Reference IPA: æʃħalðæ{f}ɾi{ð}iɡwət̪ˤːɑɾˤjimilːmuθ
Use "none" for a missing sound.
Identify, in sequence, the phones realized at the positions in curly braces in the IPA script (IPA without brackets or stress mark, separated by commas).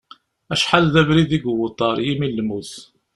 v, ð